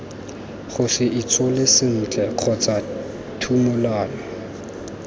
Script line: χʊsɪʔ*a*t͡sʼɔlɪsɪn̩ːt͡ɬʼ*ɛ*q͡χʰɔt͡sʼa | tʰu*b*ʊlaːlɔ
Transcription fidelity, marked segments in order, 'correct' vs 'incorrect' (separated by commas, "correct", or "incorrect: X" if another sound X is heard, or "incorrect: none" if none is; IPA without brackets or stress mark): incorrect: i, correct, incorrect: m